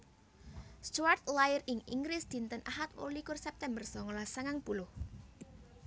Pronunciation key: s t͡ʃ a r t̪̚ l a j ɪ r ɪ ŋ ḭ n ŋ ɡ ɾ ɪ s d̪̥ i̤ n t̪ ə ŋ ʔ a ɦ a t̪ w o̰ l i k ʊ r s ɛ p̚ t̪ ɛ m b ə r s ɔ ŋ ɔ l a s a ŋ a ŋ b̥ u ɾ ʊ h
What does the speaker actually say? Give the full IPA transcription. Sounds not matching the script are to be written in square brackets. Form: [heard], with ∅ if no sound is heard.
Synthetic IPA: s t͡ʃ a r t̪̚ l a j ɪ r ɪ ŋ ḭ [∅] ŋ ɡ ɾ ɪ s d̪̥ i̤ n t̪ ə [n] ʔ a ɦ a t̪ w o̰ l i k ʊ r s ɛ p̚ t̪ ɛ m b ə r s ɔ ŋ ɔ l a s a ŋ a ŋ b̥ u [l] ʊ h